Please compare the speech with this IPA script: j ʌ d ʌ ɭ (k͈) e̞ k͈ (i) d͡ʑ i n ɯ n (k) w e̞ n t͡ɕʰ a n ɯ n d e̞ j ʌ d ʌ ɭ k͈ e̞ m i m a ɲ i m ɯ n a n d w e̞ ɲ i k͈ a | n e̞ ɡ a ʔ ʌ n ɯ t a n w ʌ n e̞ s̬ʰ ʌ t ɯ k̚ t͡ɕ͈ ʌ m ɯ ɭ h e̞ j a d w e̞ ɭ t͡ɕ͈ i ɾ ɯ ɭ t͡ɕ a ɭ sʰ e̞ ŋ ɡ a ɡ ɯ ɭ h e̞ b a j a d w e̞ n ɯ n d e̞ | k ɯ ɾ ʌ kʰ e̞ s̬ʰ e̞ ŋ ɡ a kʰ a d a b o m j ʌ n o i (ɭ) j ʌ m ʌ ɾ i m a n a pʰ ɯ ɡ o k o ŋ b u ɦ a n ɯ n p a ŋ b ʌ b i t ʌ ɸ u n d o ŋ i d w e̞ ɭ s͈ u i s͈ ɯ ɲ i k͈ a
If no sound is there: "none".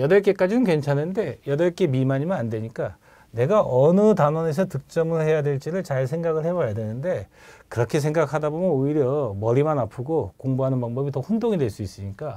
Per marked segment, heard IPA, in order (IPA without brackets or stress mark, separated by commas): k͈, a, k, ɾ